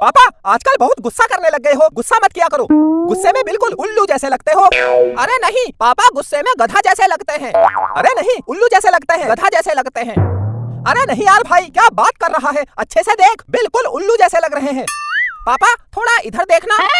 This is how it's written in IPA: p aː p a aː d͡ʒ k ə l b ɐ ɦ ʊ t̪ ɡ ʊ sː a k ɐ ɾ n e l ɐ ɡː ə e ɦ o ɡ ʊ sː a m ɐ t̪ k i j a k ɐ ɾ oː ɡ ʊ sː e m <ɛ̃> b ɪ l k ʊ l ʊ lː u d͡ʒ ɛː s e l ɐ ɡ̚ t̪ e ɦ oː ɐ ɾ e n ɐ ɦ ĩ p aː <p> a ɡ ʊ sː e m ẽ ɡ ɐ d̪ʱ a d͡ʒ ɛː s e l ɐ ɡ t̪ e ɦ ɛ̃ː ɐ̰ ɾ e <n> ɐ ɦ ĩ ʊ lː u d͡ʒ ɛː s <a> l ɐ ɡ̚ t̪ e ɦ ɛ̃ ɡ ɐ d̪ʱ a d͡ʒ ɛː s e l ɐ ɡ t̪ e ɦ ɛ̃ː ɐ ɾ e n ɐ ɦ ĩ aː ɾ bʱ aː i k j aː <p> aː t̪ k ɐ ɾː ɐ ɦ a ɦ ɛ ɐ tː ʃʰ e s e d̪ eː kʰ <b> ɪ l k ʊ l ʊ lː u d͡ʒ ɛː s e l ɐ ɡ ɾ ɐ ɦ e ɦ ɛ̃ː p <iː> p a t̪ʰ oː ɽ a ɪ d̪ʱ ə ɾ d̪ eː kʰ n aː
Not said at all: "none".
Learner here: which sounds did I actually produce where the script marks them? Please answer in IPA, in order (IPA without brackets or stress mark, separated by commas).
ẽ, p, n, e, b, b, aː